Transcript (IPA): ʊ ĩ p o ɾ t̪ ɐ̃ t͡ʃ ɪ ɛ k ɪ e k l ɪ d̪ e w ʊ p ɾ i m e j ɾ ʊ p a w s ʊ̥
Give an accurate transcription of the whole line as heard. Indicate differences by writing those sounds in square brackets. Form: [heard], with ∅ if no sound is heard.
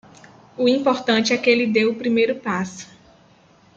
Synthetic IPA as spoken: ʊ ĩ p o ɾ t̪ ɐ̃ t͡ʃ ɪ ɛ k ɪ e [∅] l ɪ d̪ e w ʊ p ɾ i m e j ɾ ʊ p a [∅] s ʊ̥